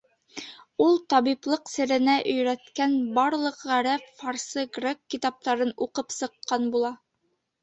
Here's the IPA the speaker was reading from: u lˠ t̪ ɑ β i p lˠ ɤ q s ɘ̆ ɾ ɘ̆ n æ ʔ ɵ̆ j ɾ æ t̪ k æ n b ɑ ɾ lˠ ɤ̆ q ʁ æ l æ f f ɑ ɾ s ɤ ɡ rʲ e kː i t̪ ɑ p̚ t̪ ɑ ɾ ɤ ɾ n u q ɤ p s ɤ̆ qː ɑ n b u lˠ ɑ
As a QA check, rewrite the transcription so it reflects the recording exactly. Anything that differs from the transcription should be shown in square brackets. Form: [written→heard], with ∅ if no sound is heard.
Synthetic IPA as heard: u lˠ t̪ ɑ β i p lˠ ɤ q s ɘ̆ ɾ ɘ̆ n æ ʔ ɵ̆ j ɾ æ t̪ k æ n b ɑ ɾ lˠ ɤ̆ q ʁ æ [l→ɾ] æ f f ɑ ɾ s ɤ ɡ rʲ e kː i t̪ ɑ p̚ t̪ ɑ ɾ ɤ [ɾ→∅] n u q ɤ p s ɤ̆ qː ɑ n b u lˠ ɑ

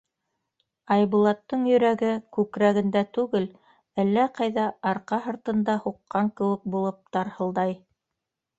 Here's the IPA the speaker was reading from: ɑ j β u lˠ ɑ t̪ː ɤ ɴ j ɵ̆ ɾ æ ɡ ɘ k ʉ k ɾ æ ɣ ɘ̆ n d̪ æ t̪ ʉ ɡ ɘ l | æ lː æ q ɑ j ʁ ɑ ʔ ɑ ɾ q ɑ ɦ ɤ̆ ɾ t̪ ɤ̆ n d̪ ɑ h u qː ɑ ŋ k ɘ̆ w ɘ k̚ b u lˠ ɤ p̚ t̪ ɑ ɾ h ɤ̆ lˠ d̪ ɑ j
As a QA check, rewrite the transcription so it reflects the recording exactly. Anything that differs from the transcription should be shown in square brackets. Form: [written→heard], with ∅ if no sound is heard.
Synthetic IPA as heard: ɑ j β u lˠ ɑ t̪ː ɤ ɴ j ɵ̆ ɾ æ ɡ ɘ k ʉ k ɾ æ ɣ ɘ̆ n d̪ æ t̪ ʉ ɡ ɘ l | æ lː æ q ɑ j [ʁ→ð] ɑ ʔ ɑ ɾ q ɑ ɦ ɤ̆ ɾ t̪ ɤ̆ n d̪ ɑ h u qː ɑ ŋ k ɘ̆ w ɘ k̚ b u lˠ ɤ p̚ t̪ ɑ ɾ h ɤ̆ lˠ d̪ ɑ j

